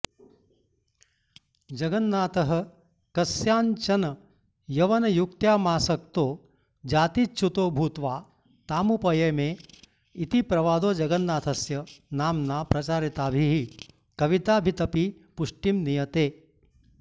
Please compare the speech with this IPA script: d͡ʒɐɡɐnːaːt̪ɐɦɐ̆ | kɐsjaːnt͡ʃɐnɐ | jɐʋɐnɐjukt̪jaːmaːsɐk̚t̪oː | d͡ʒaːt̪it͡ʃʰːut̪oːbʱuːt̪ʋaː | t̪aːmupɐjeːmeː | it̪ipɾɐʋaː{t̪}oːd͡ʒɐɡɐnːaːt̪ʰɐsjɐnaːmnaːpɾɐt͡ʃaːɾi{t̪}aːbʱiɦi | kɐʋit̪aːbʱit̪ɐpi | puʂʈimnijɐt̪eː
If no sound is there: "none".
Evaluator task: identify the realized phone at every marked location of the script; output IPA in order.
d̪, t̪

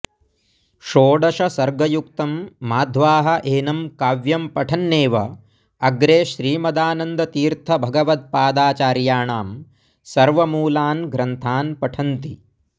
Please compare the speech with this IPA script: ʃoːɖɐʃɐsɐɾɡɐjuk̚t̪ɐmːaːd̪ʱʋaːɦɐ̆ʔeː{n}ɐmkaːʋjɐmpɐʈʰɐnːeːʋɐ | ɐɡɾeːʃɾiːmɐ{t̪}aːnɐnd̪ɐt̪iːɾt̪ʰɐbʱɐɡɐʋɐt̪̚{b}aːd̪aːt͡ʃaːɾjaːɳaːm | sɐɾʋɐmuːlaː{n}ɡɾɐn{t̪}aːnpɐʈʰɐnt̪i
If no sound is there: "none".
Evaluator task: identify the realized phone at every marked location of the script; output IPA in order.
n, d̪, p, n, t̪ʰ

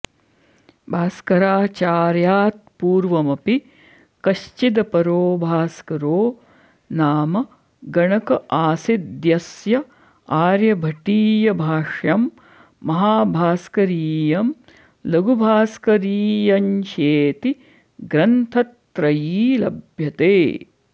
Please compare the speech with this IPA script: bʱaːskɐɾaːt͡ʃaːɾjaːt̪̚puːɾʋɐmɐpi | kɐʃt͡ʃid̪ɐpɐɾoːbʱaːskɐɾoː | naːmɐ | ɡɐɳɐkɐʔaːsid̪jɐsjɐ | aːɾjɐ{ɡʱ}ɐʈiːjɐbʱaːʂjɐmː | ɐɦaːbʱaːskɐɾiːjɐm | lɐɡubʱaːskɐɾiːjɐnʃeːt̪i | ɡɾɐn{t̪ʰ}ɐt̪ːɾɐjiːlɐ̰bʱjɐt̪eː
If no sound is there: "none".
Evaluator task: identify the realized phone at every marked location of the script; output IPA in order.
bʱ, t̪ʰ

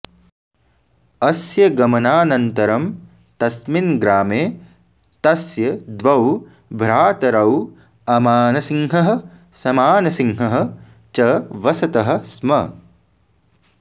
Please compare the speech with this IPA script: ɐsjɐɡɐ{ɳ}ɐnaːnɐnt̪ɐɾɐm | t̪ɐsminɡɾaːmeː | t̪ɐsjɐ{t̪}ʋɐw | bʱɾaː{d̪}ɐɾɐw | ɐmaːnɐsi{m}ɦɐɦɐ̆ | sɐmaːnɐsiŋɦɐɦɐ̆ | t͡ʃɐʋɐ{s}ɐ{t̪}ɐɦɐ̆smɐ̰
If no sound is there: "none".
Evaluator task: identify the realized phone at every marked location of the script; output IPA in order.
m, d̪, t̪, ŋ, s, t̪

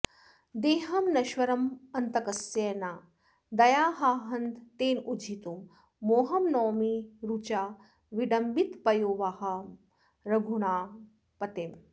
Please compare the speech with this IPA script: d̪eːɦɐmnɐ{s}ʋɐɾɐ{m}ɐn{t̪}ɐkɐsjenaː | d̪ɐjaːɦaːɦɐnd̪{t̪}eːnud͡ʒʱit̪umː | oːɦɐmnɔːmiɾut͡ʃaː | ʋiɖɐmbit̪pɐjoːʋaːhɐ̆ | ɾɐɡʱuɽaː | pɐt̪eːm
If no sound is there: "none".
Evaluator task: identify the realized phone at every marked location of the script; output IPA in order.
ʃ, m, t̪, t̪

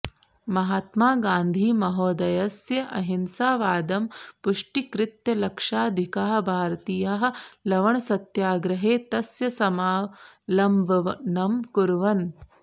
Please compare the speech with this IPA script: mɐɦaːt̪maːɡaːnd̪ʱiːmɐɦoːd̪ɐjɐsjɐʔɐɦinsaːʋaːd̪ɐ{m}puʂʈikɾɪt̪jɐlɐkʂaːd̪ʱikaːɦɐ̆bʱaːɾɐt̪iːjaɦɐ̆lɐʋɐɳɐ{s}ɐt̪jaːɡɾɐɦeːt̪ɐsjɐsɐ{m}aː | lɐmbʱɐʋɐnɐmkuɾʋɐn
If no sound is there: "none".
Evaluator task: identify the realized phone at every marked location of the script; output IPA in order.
m, s, m

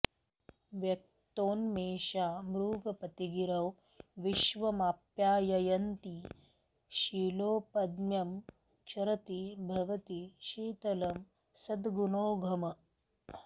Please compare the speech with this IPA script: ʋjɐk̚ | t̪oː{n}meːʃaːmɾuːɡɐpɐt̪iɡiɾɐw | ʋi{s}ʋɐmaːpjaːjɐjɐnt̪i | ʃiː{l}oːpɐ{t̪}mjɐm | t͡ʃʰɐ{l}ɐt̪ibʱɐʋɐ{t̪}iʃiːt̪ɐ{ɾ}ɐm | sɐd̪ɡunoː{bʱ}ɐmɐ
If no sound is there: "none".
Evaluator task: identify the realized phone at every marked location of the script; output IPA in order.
n, ʃ, l, d̪, ɾ, t̪, l, ɡʱ

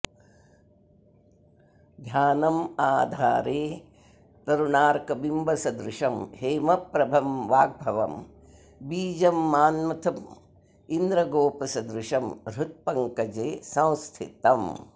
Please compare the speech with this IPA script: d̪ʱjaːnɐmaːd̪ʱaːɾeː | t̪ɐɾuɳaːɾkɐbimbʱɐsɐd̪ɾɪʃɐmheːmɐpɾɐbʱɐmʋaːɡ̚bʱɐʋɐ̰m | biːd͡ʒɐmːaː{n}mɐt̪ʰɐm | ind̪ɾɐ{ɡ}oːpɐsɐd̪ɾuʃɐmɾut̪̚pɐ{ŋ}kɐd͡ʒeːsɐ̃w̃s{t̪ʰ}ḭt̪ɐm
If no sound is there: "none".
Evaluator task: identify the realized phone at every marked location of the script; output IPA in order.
n, ɡ, ŋ, t̪ʰ

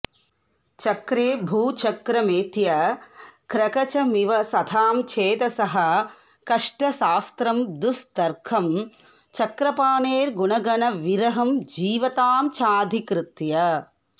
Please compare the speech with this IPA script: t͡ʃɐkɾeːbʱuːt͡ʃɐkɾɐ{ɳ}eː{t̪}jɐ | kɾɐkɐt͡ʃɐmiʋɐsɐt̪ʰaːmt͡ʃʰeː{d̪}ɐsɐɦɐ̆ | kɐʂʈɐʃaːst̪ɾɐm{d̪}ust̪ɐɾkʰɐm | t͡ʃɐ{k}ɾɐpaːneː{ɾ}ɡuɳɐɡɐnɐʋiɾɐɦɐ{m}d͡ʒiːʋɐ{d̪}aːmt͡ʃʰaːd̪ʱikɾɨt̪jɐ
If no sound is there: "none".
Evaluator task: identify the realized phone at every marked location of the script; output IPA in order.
m, t̪, t̪, d̪, k, ɾ, m, t̪

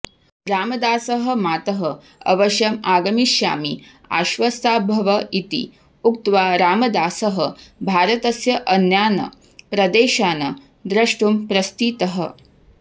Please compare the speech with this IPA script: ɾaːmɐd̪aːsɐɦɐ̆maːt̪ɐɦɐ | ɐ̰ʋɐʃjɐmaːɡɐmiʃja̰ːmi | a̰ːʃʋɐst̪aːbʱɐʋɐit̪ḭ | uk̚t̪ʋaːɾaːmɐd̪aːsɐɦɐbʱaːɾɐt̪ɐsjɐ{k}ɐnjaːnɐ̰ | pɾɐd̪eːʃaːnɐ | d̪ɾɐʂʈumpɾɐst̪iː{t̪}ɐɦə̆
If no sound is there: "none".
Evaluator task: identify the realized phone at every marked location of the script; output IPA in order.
ʔ, t̪

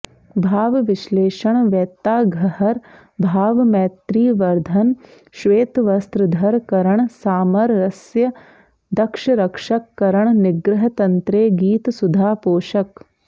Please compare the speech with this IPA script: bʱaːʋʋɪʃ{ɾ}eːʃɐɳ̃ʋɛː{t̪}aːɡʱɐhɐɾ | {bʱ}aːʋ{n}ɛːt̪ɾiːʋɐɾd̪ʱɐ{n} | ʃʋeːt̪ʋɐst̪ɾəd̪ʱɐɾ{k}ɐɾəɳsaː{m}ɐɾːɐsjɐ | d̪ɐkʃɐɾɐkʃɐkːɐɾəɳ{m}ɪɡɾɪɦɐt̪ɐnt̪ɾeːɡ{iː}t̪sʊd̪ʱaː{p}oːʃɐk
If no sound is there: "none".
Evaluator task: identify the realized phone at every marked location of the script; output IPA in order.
l, t̪, bʱ, m, n, k, m, n, iː, p

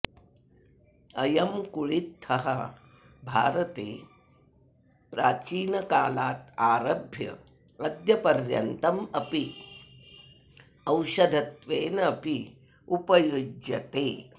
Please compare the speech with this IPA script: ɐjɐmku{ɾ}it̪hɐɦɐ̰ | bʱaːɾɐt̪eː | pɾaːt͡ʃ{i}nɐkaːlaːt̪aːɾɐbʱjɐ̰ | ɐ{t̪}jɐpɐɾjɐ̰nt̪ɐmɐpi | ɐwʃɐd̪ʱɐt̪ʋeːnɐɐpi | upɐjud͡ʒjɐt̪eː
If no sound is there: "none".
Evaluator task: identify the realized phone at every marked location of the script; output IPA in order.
ɭ, iː, d̪

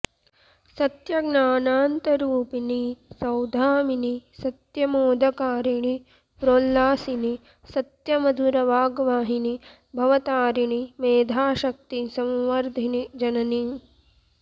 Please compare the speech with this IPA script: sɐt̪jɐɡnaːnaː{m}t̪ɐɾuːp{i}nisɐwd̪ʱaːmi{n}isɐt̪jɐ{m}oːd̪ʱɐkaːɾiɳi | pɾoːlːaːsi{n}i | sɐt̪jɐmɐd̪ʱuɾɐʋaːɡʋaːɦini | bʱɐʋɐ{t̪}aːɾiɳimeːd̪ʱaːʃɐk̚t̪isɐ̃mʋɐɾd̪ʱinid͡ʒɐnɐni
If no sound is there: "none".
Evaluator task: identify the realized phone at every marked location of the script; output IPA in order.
n, i, n, m, n, t̪

